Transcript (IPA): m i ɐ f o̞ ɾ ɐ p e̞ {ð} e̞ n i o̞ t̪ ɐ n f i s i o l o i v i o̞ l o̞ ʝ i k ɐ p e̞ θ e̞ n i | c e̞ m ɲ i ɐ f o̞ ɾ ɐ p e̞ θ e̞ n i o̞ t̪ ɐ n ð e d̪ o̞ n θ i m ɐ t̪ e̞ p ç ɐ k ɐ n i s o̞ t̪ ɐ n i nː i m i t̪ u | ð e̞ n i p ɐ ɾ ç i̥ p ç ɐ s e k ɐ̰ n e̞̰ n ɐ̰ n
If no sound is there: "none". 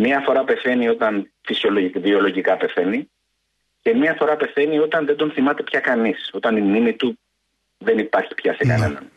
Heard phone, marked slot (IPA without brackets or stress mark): θ